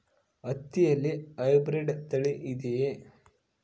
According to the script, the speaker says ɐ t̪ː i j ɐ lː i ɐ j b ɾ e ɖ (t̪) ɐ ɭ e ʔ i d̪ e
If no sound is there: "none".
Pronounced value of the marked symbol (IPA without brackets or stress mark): t̪